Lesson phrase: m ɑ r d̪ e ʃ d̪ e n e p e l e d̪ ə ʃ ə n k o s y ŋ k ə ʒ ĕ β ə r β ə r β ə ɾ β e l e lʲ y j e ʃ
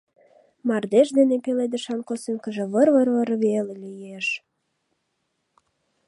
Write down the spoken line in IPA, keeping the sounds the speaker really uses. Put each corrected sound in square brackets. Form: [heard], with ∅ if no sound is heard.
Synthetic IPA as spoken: m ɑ r d̪ e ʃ d̪ e n e p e l e d̪ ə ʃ [ɑ] n k o s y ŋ k ə ʒ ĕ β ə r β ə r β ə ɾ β e l e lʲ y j e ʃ